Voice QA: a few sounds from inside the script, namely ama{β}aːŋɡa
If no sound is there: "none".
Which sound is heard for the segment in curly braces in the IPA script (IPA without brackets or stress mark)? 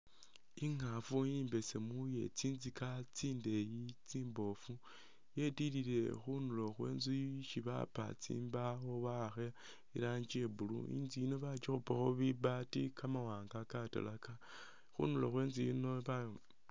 w